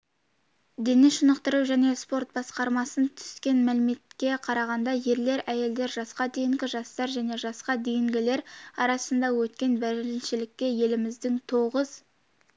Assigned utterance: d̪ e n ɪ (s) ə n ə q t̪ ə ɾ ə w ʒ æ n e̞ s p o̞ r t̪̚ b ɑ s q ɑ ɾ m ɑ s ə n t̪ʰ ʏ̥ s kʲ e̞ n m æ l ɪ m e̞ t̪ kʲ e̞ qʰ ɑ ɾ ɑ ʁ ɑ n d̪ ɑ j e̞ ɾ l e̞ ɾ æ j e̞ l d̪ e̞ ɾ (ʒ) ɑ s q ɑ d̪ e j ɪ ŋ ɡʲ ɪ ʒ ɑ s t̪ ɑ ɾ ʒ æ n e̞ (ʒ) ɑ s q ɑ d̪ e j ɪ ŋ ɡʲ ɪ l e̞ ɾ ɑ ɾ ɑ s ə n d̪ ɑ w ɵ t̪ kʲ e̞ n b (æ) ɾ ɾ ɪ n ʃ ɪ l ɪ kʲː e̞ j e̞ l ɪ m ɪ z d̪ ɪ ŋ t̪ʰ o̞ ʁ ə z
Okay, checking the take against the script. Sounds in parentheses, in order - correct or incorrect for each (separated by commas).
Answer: incorrect, correct, correct, correct